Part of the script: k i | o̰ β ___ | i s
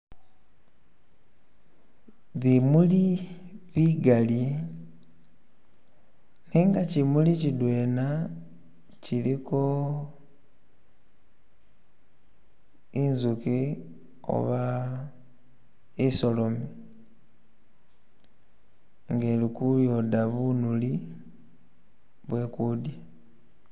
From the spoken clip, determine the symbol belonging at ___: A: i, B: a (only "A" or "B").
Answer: B